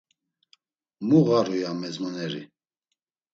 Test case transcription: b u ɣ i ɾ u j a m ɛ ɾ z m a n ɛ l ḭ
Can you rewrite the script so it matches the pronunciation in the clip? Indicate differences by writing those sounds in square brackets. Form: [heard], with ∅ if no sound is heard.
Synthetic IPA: [m] u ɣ [a] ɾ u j a m ɛ [∅] z m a n ɛ [ɾ] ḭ